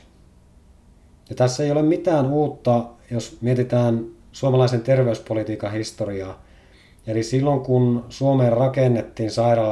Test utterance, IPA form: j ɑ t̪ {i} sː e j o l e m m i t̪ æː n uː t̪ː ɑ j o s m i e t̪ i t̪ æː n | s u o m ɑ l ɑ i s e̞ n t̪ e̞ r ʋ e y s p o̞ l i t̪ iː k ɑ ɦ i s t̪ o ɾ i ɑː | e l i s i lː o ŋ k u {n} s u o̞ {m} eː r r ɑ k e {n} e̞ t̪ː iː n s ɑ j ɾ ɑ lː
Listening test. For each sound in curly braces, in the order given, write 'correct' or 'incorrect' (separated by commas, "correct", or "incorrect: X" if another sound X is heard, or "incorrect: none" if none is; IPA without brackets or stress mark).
incorrect: æ, correct, correct, incorrect: nː